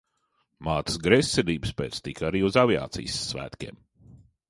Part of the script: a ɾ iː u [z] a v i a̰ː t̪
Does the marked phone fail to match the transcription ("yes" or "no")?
no